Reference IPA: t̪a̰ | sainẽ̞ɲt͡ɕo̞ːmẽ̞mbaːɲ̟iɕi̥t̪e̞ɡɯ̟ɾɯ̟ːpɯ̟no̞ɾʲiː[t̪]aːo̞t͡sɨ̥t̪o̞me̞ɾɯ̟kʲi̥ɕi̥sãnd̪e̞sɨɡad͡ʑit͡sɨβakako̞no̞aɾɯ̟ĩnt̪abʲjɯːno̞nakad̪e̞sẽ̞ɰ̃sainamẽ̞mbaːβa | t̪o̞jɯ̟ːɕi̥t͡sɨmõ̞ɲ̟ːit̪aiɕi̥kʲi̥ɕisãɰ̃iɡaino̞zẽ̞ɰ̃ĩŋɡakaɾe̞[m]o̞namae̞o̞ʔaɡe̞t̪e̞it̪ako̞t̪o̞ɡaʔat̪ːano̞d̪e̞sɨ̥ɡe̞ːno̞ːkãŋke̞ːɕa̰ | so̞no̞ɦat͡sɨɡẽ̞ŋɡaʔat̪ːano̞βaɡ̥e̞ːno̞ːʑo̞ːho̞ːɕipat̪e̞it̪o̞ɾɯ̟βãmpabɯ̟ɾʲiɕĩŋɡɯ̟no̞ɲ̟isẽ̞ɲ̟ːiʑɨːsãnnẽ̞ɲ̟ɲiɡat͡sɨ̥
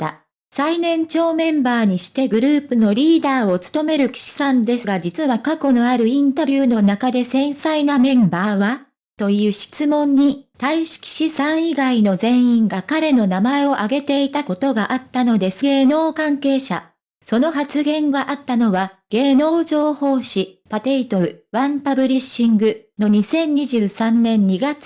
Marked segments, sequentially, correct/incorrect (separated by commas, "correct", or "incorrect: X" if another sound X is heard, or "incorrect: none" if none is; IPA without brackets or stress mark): incorrect: d̪, incorrect: n